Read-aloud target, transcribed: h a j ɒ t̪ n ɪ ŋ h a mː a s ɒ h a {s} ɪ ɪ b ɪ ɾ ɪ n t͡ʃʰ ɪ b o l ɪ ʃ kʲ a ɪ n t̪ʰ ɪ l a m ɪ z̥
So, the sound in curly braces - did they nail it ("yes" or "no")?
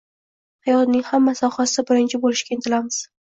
yes